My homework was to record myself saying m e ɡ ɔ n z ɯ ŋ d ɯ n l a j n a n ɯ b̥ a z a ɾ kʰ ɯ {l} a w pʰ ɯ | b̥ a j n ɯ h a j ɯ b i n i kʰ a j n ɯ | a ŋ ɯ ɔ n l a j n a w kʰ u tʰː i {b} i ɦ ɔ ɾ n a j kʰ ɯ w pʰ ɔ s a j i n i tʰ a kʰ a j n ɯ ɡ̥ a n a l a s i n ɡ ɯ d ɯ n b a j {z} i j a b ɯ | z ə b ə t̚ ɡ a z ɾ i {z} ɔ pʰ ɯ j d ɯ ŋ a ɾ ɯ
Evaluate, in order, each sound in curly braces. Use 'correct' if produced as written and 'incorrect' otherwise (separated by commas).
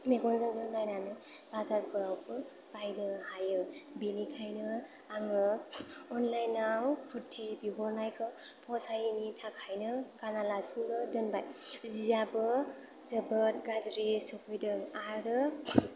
incorrect, correct, correct, incorrect